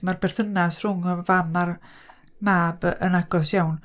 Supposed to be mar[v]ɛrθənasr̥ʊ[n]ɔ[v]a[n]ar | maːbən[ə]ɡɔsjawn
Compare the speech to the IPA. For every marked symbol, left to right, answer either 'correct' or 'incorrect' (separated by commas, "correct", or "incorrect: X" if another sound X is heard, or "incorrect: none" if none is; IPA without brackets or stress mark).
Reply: incorrect: b, incorrect: ŋ, correct, incorrect: m, incorrect: a